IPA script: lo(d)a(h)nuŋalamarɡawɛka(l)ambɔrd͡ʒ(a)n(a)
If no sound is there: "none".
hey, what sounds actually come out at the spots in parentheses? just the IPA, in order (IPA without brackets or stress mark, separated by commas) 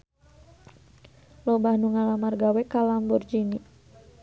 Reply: b, h, l, i, i